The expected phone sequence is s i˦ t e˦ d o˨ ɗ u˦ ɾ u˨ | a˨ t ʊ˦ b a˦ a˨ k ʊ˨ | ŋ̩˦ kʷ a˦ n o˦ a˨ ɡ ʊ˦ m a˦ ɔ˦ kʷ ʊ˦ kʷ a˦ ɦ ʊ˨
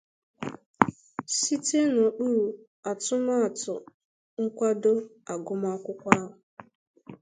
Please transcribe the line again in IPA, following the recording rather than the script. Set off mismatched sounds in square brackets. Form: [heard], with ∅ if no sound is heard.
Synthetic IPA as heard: s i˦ t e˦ [n] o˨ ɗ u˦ ɾ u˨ | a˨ t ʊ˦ [m] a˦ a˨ [t] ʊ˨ | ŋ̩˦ kʷ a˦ [d] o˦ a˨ ɡ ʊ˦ m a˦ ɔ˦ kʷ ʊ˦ kʷ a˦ ɦ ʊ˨